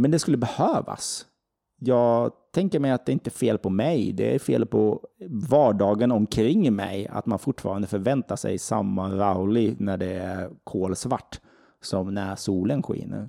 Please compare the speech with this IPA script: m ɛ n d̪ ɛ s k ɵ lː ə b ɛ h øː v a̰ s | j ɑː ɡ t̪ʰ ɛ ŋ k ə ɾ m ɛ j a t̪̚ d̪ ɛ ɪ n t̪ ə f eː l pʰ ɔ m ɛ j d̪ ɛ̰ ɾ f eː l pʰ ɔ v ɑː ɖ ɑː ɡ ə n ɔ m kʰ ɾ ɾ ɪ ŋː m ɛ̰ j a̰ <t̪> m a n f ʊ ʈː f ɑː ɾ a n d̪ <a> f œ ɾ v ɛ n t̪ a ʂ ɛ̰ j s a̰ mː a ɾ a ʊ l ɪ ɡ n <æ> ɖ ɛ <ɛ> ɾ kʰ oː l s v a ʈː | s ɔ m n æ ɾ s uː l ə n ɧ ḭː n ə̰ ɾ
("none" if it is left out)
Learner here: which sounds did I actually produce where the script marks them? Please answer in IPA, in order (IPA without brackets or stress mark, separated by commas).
t̪, ə, æ, æ